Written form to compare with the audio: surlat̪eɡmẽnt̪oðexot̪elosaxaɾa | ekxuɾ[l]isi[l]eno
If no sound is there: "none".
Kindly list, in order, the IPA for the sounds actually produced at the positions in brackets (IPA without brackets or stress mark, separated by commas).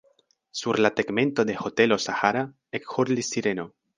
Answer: l, ɾ